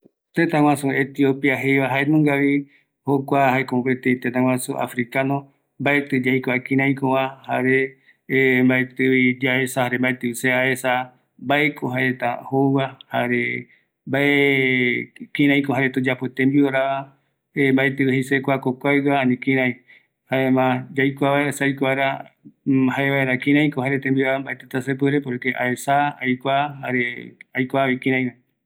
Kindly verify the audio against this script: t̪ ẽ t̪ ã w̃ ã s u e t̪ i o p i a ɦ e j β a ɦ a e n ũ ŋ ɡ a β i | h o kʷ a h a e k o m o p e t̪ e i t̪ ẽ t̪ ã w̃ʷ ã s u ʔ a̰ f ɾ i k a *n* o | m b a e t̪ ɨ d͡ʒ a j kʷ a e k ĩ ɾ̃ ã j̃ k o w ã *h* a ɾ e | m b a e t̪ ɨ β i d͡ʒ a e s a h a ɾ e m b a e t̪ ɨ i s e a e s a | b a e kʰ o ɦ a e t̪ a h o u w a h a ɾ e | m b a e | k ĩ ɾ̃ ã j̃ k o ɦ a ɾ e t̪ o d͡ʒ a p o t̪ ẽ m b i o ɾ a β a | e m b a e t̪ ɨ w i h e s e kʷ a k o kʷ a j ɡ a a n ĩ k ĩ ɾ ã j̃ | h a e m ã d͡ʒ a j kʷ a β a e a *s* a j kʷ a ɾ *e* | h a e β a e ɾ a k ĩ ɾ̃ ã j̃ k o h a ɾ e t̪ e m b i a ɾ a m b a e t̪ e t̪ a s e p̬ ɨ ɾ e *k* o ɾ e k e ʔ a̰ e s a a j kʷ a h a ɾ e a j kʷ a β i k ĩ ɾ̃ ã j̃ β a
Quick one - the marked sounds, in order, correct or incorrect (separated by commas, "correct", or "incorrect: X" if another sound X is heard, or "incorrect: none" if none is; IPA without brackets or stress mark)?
correct, correct, correct, incorrect: a, incorrect: p